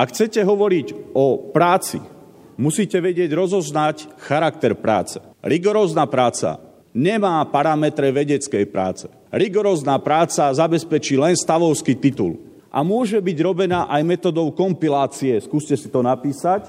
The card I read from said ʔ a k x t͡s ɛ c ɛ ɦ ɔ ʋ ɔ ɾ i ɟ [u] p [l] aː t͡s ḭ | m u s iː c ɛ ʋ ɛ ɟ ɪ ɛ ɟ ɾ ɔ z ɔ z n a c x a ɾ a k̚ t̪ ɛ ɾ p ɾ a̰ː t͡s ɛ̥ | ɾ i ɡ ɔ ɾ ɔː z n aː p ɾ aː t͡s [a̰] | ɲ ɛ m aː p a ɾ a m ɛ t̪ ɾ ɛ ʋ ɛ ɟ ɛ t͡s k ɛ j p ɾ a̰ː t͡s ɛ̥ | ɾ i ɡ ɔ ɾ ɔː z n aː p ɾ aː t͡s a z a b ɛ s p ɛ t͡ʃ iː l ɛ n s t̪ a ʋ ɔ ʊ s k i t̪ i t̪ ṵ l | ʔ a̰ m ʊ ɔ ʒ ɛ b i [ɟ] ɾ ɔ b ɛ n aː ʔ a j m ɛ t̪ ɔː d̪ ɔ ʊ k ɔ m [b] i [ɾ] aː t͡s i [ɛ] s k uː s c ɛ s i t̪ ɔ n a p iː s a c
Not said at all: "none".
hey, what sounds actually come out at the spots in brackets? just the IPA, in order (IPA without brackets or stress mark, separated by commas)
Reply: ɔ, ɾ, a̰, ɟ, p, l, ɛ